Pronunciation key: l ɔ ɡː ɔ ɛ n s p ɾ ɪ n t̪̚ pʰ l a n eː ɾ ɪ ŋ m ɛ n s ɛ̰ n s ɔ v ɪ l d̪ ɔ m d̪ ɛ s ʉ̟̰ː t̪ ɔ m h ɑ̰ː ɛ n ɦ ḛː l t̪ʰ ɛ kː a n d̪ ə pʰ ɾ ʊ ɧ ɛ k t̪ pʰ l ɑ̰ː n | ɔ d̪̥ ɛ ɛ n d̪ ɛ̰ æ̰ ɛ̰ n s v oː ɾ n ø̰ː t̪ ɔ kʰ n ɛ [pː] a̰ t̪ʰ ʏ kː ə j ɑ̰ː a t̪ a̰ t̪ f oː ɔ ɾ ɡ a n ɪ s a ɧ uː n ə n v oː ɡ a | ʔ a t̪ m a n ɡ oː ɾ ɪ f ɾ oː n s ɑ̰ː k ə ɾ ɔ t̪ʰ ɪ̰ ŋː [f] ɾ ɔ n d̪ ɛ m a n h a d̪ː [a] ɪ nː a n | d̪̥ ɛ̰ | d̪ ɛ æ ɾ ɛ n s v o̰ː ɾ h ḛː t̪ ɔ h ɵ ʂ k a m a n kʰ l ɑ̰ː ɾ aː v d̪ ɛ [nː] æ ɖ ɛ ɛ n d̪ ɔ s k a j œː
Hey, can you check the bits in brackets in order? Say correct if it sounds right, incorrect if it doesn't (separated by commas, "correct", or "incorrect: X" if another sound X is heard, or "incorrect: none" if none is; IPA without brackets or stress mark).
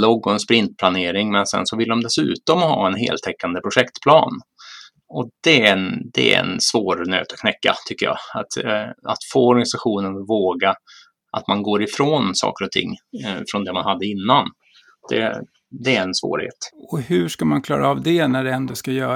incorrect: kː, correct, incorrect: ə, incorrect: n